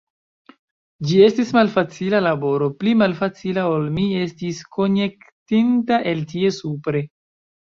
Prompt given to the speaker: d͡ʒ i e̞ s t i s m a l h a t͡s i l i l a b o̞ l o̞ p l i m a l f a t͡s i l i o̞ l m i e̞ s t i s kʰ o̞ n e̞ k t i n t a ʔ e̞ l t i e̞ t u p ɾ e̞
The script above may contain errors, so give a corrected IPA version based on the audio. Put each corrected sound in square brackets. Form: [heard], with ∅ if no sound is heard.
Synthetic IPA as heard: d͡ʒ i e̞ s t i s m a l [f] a t͡s i l [a] l a b o̞ [ɾ] o̞ p l i m a l f a t͡s i l [a] o̞ l m i e̞ s t i s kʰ o̞ n e̞ k t i n t a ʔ e̞ l t i e̞ [s] u p ɾ e̞